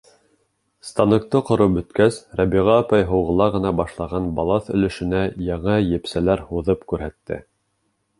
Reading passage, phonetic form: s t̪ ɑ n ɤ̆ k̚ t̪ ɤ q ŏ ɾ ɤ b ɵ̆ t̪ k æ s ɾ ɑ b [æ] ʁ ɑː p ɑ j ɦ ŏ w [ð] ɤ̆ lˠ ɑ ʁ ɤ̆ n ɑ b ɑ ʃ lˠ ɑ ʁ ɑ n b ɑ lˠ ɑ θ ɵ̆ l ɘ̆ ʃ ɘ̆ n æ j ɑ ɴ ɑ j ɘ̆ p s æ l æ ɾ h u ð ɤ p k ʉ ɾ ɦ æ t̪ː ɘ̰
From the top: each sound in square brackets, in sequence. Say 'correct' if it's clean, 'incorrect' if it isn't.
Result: incorrect, incorrect

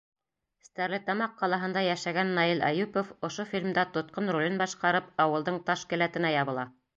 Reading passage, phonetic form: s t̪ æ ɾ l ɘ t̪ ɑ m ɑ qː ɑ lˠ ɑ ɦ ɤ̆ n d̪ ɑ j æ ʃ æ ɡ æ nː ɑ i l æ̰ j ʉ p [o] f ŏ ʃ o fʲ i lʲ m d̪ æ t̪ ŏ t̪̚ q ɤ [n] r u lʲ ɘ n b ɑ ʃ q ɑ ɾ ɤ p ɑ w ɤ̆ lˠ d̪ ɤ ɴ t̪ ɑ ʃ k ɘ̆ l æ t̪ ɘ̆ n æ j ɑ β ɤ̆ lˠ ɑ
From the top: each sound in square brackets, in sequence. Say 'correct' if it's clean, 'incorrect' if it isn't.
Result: correct, correct

